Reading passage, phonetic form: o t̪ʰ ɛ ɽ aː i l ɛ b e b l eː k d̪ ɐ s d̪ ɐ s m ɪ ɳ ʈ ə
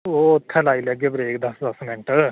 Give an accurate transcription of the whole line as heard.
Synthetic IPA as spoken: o t̪ʰ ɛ l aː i l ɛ ɡ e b ɾ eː k d̪ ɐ s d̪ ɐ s m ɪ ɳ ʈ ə